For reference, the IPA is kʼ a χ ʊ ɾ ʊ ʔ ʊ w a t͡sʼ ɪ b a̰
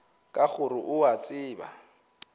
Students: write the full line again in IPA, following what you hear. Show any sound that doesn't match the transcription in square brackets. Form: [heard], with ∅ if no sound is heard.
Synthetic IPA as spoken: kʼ a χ ʊ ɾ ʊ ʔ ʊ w a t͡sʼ [ɪː] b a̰